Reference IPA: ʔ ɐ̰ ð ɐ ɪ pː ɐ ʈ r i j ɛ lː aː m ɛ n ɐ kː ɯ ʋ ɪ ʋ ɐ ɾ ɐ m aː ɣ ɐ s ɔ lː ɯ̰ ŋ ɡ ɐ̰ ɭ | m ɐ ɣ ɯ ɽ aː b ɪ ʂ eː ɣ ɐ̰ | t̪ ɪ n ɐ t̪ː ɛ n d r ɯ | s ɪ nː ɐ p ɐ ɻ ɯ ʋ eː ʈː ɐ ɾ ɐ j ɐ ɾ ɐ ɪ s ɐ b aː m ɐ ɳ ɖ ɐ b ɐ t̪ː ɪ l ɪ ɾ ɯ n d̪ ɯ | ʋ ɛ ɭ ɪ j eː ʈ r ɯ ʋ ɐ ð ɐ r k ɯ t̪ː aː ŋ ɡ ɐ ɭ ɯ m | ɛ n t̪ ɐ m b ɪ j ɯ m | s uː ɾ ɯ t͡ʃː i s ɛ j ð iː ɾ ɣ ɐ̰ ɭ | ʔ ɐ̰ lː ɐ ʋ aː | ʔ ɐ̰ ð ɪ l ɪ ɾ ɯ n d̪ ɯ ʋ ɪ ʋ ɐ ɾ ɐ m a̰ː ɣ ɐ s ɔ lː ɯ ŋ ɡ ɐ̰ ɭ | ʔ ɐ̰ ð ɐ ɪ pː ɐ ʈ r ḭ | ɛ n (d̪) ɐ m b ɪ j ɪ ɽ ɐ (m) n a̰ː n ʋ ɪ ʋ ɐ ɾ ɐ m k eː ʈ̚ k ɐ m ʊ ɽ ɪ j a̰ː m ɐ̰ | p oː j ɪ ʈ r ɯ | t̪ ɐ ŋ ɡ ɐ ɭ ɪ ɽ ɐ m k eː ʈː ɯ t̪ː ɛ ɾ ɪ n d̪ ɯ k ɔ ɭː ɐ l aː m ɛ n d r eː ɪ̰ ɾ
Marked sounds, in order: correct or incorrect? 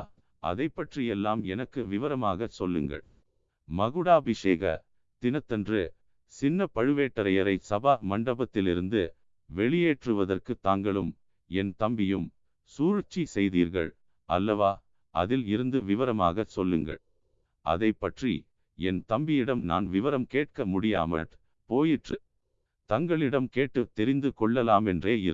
incorrect: t̪, correct

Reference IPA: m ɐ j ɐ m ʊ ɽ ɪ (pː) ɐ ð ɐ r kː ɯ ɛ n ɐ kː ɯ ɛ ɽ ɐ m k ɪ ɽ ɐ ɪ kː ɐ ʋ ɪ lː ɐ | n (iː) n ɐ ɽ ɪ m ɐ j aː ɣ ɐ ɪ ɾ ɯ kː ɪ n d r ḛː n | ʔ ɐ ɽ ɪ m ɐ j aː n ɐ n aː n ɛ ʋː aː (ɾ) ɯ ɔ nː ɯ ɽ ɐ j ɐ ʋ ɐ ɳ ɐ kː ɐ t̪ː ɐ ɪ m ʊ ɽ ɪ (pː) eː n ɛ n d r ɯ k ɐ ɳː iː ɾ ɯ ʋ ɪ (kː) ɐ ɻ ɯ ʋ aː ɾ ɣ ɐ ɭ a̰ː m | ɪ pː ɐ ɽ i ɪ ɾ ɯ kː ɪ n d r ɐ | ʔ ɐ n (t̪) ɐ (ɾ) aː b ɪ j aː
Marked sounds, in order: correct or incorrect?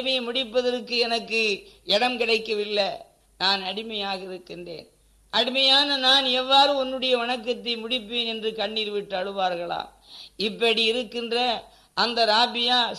correct, incorrect: aː, correct, correct, incorrect: ʈː, incorrect: d̪, correct

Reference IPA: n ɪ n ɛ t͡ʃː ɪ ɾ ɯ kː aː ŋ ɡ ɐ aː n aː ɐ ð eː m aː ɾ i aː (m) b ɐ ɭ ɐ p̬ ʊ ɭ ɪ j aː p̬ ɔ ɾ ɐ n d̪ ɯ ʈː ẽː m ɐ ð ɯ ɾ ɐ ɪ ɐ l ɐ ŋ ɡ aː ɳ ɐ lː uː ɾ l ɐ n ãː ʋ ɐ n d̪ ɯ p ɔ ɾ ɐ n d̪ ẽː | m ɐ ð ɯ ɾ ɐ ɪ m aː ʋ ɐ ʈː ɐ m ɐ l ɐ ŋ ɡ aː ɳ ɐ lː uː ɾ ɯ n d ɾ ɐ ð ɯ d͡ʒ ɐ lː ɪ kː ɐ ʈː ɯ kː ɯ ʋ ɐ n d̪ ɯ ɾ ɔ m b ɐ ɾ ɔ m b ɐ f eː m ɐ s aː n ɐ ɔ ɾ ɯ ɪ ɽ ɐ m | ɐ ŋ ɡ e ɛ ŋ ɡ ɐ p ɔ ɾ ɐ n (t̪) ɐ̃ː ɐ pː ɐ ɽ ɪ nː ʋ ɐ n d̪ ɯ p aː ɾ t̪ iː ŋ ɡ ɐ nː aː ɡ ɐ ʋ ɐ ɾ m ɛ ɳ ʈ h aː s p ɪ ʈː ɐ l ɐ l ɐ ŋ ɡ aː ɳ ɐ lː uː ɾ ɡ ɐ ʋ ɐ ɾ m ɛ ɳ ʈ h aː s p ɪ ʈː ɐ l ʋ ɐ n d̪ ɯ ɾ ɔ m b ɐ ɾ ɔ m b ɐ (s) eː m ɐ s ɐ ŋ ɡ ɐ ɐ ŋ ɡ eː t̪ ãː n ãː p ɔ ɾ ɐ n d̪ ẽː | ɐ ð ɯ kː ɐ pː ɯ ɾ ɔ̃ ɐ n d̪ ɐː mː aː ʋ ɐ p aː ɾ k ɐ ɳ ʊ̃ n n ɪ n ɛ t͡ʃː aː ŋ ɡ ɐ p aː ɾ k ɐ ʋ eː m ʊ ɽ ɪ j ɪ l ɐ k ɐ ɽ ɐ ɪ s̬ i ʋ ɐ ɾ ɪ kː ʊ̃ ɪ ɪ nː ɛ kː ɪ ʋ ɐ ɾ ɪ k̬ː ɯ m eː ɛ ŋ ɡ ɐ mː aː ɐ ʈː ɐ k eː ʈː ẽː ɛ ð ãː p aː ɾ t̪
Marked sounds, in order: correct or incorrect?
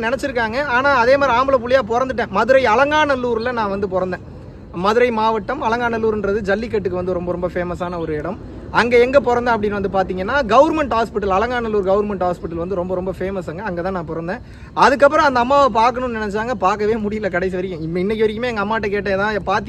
correct, incorrect: d̪, incorrect: f

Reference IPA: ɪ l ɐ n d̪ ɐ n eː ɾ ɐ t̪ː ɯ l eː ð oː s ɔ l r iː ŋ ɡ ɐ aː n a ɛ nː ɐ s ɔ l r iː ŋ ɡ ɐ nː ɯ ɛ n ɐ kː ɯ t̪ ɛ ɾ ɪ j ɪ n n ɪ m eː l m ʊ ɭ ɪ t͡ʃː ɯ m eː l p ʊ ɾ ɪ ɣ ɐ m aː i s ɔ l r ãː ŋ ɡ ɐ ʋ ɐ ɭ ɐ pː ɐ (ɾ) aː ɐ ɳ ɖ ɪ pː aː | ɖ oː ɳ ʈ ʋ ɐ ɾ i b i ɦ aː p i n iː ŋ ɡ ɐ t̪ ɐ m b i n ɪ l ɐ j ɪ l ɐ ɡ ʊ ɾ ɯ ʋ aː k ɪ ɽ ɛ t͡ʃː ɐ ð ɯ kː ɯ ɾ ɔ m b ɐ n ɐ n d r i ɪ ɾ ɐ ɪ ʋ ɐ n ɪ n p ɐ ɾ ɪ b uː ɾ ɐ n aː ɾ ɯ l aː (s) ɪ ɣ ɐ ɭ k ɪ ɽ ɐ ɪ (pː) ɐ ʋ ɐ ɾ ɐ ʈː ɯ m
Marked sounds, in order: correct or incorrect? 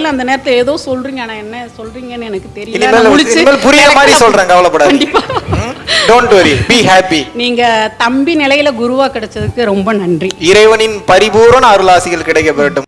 incorrect: ɽ, correct, incorrect: kː

